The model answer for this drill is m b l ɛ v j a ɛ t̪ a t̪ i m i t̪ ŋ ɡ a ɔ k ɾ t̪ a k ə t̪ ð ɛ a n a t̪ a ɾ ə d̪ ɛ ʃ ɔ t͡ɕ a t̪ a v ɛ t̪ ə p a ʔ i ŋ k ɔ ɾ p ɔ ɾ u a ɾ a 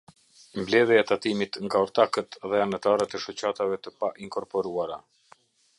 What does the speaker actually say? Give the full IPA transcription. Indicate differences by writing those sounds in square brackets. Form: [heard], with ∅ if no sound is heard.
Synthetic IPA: m b l ɛ [ð] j a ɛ t̪ a t̪ i m i t̪ ŋ ɡ a ɔ [∅] ɾ t̪ a k ə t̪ ð ɛ a n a t̪ a ɾ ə [t̪] ɛ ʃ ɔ t͡ɕ a t̪ a v ɛ t̪ ə p a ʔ i ŋ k ɔ ɾ p ɔ ɾ u a ɾ a